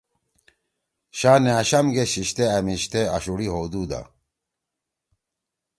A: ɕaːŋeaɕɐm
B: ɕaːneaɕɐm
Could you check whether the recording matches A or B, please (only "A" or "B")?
B